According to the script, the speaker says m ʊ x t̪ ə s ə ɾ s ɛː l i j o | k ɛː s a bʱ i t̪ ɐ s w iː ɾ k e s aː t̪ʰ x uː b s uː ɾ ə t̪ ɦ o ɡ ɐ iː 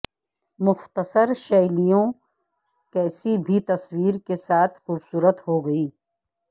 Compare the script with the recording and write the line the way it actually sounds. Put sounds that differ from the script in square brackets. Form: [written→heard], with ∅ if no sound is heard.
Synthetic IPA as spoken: m ʊ x t̪ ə s ə ɾ [s→ʃ] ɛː l i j [o→õ] | k ɛː s [a→i] bʱ i t̪ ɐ s w iː ɾ k e s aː t̪ʰ x uː b s uː ɾ ə t̪ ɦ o ɡ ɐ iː